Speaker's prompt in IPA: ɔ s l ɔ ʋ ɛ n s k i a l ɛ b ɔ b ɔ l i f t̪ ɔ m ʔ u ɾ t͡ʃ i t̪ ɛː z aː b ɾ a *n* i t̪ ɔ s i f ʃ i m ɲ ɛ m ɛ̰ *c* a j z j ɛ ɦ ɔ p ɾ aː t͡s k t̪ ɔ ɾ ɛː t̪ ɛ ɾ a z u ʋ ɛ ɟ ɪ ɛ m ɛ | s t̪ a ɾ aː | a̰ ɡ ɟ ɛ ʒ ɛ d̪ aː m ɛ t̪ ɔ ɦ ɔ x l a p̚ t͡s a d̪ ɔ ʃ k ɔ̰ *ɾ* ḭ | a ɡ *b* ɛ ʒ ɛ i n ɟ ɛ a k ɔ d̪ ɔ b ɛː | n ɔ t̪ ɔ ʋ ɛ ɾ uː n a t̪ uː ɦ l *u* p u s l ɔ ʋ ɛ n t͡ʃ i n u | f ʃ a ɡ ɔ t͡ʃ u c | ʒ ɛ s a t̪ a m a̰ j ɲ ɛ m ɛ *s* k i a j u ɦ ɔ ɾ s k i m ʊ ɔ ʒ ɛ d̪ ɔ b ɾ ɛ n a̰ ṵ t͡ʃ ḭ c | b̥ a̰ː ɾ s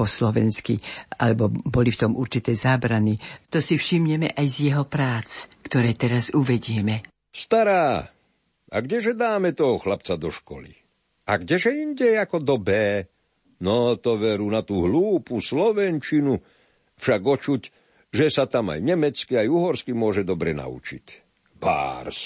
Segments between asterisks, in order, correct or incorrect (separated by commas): correct, incorrect, incorrect, incorrect, incorrect, incorrect